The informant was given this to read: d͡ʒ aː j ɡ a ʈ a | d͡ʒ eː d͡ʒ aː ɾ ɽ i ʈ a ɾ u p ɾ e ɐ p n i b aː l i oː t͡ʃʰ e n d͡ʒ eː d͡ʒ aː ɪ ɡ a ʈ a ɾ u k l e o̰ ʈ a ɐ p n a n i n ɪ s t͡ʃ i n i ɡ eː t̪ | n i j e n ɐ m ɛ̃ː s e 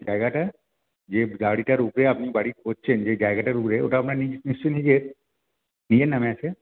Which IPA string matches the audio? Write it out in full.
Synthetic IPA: d͡ʒ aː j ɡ a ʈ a | d͡ʒ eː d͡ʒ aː ɽ i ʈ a ɾ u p ɾ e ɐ p n i b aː ɽ i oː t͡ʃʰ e n d͡ʒ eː d͡ʒ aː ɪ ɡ a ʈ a ɾ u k ɾ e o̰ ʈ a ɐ p n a n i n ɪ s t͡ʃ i n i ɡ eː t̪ | n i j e n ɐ m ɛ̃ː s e